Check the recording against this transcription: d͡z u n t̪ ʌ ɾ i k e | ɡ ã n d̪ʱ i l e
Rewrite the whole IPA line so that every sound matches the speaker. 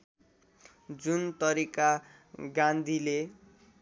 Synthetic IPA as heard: d͡z u n t̪ ʌ ɾ i k a | ɡ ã n d̪ʱ i l e